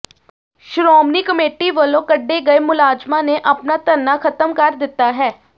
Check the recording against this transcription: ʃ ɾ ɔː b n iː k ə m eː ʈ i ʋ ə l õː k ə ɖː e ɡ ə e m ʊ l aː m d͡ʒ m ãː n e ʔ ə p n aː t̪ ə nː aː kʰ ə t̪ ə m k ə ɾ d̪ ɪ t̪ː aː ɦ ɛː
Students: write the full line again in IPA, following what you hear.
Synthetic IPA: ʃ ɾ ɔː m n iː k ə m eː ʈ i ʋ ə l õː k ə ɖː e ɡ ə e m ʊ l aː d͡ʒ m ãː n e ʔ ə p n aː t̪ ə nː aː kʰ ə t̪ ə m k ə ɾ d̪ ɪ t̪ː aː ɦ ɛː